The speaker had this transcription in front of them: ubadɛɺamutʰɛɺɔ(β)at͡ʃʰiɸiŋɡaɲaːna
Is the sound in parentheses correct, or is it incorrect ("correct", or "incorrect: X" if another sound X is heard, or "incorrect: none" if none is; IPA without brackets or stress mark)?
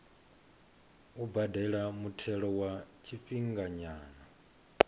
incorrect: w